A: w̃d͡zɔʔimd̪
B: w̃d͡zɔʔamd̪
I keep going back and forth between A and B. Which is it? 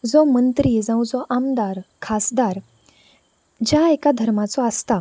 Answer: B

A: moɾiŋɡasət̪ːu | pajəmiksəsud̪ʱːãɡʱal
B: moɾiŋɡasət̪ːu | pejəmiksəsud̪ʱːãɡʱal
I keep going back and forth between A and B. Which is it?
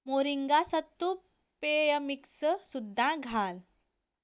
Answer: B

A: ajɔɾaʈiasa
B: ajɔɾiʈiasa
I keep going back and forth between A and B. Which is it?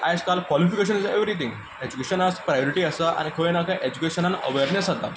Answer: B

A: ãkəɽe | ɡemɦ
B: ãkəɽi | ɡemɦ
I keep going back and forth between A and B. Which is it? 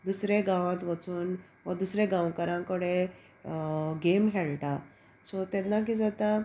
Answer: A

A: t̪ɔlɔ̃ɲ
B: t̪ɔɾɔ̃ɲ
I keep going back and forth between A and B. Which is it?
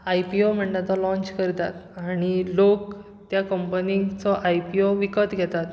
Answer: A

